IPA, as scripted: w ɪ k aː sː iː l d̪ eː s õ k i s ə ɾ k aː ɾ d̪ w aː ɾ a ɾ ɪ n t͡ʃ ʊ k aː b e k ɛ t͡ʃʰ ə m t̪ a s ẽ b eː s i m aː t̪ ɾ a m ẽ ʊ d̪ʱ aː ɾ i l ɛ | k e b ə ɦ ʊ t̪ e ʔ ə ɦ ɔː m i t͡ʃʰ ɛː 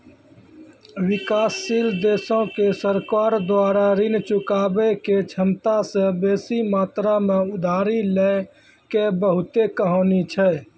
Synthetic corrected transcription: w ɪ k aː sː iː l d̪ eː s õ k e s ə ɾ k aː ɾ d̪ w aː ɾ a ɾ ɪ n t͡ʃ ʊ k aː b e k e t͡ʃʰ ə m t̪ a s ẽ b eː s i m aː t̪ ɾ a m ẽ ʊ d̪ʱ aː ɾ i l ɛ | k e b ə ɦ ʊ t̪ e k ə ɦ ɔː n i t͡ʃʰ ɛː